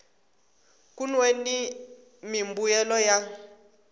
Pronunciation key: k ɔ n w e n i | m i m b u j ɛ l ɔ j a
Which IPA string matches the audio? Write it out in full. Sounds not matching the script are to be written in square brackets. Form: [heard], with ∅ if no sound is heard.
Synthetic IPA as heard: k [u] n w e n i | m i m b u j ɛ l ɔ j a